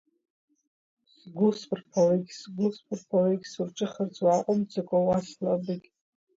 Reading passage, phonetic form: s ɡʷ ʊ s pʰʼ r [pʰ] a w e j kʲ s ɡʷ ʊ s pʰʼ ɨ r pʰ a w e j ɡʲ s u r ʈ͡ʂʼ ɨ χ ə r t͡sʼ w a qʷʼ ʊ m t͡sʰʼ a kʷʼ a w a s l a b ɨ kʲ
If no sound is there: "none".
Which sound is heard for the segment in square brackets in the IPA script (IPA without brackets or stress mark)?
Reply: pʰ